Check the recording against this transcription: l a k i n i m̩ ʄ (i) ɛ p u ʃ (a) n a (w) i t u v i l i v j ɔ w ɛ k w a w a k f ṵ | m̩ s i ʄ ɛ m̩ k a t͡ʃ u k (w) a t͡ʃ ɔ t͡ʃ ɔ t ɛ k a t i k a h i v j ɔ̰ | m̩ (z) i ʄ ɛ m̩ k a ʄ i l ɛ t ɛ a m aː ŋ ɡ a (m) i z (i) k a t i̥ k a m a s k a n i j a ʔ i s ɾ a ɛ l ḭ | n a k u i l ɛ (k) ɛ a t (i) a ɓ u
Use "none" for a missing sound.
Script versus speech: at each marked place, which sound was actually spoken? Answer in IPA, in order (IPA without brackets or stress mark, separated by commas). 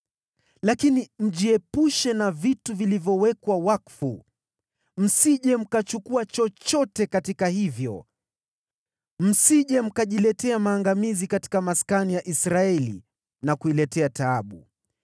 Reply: i, ɛ, v, u, s, m, i, t, a